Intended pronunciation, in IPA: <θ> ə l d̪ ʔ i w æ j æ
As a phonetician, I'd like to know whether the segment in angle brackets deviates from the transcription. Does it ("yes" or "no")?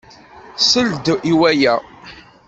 yes